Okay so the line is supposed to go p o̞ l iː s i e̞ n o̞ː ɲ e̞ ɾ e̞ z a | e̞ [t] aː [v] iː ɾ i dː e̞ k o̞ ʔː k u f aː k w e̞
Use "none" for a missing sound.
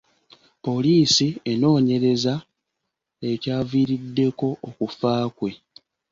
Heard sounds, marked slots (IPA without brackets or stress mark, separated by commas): c, v